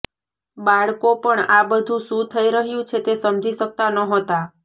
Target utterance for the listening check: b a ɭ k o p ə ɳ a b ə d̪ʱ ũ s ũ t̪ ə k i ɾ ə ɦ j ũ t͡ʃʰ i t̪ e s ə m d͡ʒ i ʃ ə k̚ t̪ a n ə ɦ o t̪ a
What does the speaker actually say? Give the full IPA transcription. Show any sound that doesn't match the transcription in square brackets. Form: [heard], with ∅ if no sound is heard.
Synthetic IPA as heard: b a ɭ k o p ə ɳ a b ə d̪ʱ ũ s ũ [t̪ʰ] ə [∅] i ɾ ə ɦ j ũ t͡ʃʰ [e] t̪ e s ə m d͡ʒ i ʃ ə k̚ t̪ a n ə ɦ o t̪ a